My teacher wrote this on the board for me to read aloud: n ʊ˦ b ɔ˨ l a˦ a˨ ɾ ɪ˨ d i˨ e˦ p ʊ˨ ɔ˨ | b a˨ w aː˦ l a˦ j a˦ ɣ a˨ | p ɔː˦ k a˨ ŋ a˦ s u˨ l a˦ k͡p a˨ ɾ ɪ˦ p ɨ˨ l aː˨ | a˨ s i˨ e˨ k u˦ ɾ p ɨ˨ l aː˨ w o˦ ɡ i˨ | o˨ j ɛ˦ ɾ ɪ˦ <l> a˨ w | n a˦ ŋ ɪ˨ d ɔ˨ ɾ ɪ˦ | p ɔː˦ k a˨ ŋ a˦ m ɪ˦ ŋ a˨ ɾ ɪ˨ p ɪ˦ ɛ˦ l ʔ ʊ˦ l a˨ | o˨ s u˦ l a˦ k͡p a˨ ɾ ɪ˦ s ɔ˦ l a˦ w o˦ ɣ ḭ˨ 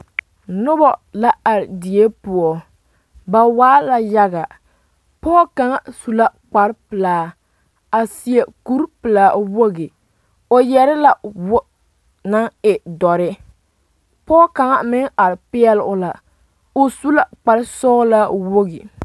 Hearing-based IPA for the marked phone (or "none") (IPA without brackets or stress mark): l